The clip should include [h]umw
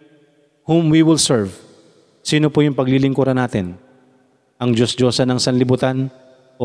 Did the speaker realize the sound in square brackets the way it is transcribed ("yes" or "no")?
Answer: yes